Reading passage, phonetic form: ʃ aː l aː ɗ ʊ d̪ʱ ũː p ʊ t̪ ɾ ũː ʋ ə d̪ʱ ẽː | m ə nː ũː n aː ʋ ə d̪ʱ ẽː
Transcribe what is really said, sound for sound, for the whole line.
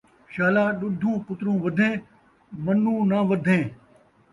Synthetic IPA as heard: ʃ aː l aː ɗ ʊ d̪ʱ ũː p ʊ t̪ ɾ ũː ʋ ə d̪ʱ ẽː | m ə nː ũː n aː ʋ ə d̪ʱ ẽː